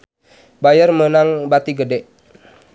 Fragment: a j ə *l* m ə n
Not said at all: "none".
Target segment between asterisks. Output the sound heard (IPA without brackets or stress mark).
r